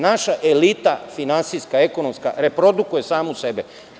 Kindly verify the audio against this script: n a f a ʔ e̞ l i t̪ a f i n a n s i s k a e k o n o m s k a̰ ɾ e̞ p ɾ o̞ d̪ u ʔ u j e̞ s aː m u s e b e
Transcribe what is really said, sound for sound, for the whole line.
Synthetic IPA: n a ʃ a ʔ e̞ l i t̪ a f i n a n s i s k a e k o n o m s k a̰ ɾ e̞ p ɾ o̞ d̪ u k u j e̞ s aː m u s e b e